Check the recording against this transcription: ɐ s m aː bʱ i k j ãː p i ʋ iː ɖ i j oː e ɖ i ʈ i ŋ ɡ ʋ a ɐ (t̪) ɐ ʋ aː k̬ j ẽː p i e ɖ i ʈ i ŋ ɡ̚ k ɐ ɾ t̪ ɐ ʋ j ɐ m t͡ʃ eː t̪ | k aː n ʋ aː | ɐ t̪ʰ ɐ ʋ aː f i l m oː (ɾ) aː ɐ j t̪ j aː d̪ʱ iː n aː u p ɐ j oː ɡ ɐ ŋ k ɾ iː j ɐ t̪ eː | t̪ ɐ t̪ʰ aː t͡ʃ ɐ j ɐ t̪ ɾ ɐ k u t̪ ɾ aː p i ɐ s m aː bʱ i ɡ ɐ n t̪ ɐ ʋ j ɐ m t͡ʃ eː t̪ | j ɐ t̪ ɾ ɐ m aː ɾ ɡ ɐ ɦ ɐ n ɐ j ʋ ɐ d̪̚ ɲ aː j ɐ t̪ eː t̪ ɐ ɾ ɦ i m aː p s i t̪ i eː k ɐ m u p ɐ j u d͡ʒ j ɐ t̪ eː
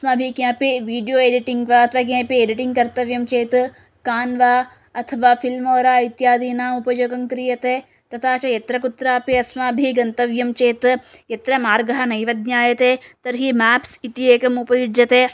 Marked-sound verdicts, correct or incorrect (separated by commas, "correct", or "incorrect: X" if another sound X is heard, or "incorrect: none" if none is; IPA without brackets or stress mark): incorrect: t̪ʰ, correct